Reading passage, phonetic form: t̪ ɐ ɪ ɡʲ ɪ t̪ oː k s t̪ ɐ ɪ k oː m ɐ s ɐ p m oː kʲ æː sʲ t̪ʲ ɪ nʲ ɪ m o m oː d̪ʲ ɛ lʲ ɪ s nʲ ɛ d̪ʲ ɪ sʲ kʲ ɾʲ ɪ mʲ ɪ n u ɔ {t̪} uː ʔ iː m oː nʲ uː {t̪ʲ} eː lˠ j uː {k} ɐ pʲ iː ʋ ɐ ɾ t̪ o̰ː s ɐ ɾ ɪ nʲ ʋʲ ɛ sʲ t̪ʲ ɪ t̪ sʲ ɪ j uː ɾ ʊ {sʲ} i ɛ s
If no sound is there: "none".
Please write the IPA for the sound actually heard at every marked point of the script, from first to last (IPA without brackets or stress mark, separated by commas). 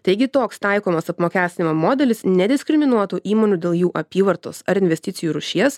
t̪, d̪ʲ, ʔ, ʃʲ